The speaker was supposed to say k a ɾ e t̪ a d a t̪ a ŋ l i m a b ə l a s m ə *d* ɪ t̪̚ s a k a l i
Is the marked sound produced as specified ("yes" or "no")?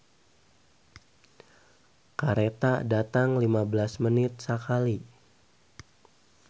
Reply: no